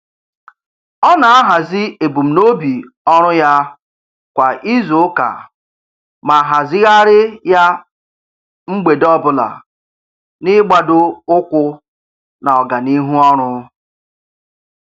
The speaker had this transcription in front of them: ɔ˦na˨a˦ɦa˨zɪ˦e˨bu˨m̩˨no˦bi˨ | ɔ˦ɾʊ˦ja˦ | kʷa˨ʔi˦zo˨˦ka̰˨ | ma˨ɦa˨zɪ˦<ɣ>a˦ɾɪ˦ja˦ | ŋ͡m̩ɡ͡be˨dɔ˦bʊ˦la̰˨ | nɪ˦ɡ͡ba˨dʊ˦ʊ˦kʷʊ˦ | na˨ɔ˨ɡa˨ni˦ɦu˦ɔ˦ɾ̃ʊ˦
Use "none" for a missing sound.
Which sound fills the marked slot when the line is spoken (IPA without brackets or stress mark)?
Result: ɣ